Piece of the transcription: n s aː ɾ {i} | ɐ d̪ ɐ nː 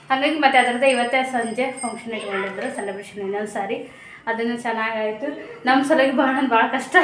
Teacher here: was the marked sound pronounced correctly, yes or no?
yes